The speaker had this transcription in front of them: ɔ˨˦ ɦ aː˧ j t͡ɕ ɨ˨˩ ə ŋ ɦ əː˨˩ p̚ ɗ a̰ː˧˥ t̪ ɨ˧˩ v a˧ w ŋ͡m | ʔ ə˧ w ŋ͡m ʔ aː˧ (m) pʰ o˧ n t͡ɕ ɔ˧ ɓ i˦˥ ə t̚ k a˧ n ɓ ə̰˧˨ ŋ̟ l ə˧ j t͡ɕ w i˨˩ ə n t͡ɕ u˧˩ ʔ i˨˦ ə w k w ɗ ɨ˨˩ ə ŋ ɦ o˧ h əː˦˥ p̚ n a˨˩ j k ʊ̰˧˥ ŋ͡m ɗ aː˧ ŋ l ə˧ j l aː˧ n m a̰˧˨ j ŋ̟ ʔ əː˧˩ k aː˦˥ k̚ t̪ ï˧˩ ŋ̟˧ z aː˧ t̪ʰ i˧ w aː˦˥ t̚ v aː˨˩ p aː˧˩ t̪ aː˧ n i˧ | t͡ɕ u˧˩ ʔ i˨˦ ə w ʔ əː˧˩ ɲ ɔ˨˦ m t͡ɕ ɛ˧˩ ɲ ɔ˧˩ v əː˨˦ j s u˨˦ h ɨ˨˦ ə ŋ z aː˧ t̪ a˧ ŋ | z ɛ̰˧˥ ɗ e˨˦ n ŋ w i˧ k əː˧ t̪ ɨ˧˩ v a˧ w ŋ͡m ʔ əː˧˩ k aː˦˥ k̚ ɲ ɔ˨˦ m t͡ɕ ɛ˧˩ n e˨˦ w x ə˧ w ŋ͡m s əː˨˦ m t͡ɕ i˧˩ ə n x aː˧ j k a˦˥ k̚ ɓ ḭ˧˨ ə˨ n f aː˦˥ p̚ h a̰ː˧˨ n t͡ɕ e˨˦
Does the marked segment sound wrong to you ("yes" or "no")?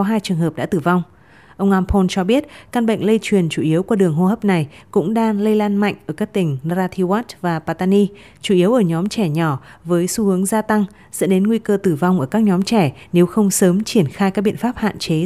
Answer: no